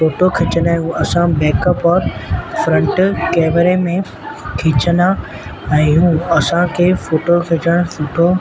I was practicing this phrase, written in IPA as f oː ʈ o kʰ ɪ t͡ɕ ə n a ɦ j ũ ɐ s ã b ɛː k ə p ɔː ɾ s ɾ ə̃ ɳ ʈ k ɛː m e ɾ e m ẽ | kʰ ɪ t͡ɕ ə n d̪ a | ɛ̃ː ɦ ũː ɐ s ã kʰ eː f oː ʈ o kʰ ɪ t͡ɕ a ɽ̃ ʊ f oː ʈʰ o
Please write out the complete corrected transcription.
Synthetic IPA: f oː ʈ o kʰ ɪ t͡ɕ ə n a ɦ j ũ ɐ s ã b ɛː k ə p ɔː ɾ f ɾ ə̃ ɳ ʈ k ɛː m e ɾ e m ẽ | kʰ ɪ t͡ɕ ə n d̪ a | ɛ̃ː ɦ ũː ɐ s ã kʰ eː f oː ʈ o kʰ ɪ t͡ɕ ə ɽ̃ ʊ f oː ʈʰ o